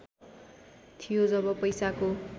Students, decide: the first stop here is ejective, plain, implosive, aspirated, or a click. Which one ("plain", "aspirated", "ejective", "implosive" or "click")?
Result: aspirated